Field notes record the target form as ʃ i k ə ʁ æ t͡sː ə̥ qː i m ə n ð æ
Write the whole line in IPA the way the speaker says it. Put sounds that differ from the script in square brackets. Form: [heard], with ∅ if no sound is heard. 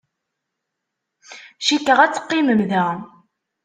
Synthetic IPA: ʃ i k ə ʁ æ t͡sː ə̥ qː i m ə [m] ð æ